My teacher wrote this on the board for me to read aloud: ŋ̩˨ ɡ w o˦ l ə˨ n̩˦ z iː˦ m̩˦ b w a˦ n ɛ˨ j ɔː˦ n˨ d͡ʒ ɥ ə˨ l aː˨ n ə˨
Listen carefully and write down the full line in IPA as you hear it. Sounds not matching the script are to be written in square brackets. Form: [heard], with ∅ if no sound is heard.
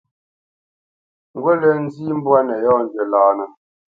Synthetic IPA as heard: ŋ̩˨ ɡ w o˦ l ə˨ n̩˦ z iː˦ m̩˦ b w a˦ n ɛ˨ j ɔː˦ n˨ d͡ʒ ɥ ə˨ l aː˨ n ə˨

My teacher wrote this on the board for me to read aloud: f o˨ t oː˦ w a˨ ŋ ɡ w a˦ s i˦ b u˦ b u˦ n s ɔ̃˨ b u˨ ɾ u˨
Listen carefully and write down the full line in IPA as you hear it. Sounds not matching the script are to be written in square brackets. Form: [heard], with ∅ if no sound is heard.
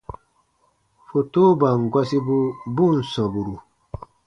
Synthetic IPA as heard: f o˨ t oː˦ [b] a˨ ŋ ɡ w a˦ s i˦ b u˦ b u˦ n s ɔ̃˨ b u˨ ɾ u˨

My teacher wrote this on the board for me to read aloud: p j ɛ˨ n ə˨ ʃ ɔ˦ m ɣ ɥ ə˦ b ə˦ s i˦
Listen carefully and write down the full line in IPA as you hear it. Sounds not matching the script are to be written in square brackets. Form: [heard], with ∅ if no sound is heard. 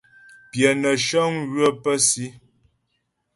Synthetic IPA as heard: p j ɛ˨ n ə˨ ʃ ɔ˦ [ŋ] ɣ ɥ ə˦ [p] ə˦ s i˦

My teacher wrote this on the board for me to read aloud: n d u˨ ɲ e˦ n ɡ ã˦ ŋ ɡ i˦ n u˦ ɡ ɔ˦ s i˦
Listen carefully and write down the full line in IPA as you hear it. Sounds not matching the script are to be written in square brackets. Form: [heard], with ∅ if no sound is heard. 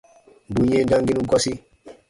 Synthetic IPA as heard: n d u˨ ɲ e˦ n [d] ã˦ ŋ ɡ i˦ n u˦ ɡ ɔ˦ s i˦

